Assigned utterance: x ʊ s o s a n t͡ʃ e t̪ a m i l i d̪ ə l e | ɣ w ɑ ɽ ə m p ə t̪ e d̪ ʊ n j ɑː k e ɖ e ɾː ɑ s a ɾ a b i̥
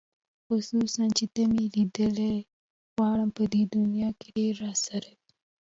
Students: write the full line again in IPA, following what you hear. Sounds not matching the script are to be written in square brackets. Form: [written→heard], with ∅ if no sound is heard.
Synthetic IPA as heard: x ʊ s [o→u] s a n t͡ʃ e t̪ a m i l i d̪ ə l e | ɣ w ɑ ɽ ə m p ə [t̪→d̪] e d̪ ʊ n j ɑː k e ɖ e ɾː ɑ s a ɾ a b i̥